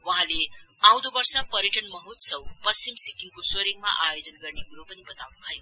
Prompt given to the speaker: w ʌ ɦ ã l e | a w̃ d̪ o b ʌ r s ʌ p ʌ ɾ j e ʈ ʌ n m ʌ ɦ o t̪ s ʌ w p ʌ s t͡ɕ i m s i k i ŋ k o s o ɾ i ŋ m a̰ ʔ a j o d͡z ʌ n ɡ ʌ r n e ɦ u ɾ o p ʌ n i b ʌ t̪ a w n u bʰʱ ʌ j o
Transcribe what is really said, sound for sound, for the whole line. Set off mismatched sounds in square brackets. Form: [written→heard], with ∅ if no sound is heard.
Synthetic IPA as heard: w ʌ ɦ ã l e | a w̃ d̪ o b ʌ r s ʌ p ʌ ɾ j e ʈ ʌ n m ʌ ɦ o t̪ s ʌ w p ʌ s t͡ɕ i m s i k i ŋ k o s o ɾ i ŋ m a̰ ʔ a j o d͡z ʌ n ɡ ʌ r n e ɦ u ɾ o p ʌ n i b ʌ t̪ a w n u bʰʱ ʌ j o